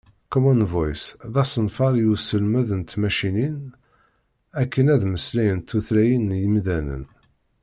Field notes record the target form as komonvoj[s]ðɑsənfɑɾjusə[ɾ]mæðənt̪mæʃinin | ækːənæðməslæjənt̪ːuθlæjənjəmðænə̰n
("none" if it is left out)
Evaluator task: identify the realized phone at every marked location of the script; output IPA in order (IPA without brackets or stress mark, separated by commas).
s, l